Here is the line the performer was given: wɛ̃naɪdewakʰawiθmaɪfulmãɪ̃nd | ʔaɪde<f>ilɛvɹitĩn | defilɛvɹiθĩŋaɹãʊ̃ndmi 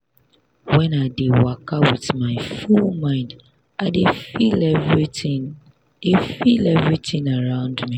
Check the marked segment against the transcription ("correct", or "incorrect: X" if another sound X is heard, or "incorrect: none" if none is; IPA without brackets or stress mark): correct